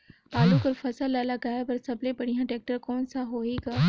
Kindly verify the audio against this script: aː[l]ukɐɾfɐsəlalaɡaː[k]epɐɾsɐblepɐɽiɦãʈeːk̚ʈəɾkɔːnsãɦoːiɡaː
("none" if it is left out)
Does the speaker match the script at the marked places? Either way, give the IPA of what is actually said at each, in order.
l, none

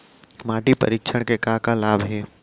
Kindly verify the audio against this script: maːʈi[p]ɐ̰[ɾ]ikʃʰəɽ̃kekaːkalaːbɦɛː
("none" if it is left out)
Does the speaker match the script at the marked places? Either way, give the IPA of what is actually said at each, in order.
p, ɾ

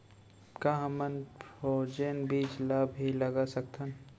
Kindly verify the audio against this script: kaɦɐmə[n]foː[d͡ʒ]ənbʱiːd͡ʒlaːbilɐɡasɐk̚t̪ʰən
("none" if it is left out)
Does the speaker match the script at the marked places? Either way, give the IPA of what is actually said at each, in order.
n, d͡ʒ

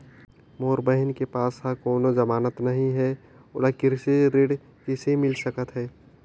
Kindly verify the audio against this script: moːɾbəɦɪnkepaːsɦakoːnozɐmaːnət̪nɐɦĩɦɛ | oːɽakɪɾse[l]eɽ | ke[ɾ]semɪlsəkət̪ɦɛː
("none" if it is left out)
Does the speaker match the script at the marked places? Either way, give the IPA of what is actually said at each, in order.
ɾ, none

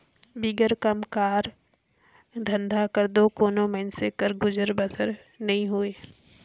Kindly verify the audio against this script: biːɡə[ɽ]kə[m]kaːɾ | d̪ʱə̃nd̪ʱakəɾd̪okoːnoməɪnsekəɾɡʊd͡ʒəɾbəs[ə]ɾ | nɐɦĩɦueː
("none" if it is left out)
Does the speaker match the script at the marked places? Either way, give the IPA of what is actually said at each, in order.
ɾ, m, ə

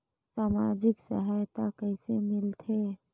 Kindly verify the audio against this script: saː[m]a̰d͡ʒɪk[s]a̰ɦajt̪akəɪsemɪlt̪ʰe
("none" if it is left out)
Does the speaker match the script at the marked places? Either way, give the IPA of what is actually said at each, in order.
m, s

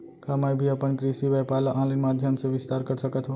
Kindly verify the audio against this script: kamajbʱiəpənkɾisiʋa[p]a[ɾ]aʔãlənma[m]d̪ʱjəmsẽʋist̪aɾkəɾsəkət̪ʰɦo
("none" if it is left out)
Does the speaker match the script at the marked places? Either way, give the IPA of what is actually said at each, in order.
p, l, none

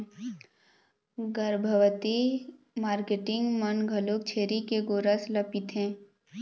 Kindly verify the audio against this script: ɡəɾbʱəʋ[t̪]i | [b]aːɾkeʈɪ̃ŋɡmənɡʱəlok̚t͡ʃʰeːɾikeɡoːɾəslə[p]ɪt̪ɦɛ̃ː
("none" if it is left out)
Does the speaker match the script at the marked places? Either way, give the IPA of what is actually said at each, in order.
t̪, m, p

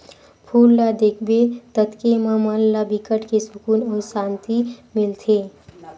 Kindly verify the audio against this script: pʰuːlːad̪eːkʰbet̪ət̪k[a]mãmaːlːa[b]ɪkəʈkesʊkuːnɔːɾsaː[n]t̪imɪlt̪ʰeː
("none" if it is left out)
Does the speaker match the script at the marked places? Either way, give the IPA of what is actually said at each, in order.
e, b, n

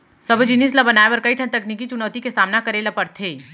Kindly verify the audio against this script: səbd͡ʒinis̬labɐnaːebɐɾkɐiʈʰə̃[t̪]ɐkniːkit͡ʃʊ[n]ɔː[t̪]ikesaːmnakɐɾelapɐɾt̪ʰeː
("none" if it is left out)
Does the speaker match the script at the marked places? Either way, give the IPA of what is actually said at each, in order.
t̪, n, t̪

